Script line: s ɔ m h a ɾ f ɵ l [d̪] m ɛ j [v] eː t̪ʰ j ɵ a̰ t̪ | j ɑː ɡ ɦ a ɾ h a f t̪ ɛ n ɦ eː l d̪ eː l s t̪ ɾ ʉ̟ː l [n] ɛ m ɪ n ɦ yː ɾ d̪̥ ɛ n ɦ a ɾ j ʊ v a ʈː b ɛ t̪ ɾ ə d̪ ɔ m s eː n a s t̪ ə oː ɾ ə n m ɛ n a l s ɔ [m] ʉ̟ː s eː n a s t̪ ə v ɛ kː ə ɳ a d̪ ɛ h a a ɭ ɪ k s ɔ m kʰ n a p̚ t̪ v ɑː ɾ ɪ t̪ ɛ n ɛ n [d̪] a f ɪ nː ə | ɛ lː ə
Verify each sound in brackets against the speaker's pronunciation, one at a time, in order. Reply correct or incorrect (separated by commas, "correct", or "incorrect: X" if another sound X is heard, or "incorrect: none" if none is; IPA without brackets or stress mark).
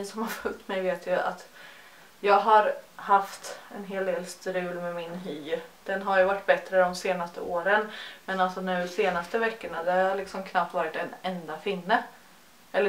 incorrect: t̪, correct, incorrect: m, incorrect: n, correct